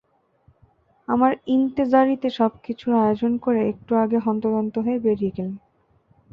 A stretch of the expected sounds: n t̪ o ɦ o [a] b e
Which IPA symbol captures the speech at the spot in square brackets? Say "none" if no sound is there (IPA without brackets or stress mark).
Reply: e